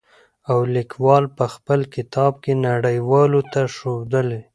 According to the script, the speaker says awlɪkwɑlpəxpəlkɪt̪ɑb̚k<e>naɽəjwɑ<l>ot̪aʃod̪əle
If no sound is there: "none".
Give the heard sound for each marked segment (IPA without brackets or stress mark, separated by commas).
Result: e, l